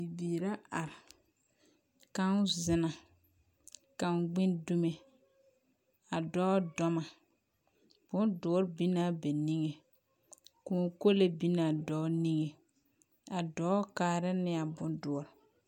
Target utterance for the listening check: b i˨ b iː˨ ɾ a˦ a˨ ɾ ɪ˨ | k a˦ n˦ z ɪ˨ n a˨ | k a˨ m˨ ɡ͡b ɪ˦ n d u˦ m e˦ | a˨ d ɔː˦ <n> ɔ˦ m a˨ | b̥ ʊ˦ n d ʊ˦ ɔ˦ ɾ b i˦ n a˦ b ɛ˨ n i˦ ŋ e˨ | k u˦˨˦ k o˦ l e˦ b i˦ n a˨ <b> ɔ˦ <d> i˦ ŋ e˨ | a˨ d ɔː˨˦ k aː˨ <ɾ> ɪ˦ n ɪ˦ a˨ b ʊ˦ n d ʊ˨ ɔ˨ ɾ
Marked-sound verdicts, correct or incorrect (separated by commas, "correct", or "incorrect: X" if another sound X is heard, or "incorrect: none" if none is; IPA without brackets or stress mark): incorrect: d, incorrect: d, incorrect: n, correct